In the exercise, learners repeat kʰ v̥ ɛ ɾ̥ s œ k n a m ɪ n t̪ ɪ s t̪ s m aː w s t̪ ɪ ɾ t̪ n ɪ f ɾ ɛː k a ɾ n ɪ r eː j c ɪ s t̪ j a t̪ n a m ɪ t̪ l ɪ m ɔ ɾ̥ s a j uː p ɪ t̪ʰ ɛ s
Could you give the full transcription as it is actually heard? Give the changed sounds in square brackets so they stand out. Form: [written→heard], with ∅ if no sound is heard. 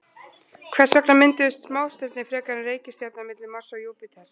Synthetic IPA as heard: kʰ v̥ ɛ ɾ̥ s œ k n a m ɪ n t̪ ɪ s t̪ s m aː w s t̪ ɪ ɾ t̪ n ɪ f ɾ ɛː k a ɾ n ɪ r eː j c ɪ s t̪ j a t̪ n a m ɪ t̪ l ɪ m ɔ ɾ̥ s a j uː p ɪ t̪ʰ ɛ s